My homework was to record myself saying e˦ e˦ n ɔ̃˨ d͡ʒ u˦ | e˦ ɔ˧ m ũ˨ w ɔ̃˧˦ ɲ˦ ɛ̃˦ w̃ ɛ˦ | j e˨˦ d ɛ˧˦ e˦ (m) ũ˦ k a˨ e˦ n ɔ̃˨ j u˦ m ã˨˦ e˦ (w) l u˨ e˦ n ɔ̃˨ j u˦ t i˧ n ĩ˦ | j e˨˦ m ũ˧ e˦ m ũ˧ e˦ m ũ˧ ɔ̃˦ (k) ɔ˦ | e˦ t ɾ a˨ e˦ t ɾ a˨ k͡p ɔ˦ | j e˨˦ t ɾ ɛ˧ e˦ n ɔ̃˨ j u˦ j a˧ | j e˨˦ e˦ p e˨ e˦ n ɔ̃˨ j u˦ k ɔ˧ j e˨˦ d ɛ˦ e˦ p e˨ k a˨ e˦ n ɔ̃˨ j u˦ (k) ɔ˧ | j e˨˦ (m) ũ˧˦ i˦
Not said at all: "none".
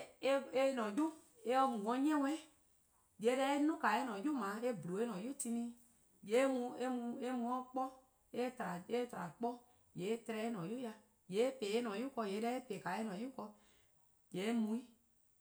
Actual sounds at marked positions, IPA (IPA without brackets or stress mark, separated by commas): n, b, k͡p, k, m